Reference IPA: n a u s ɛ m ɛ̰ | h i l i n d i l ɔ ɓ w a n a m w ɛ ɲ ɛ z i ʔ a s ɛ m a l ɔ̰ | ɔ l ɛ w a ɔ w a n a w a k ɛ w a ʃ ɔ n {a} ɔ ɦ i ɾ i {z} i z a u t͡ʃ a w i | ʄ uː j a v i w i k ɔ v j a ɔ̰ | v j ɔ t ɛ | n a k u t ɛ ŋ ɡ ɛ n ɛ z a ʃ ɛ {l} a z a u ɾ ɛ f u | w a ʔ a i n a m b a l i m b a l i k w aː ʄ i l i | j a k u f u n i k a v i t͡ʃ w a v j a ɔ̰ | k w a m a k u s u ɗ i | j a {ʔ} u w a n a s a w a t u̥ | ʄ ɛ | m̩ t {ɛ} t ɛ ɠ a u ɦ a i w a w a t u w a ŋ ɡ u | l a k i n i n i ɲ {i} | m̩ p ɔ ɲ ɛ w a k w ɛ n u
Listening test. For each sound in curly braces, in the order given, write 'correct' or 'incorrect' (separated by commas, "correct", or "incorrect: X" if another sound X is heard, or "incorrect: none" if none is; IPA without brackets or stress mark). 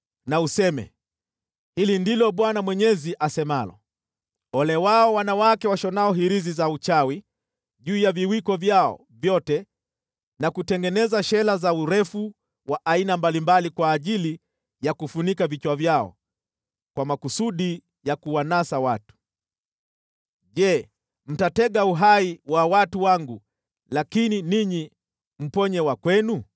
correct, correct, correct, incorrect: k, incorrect: a, correct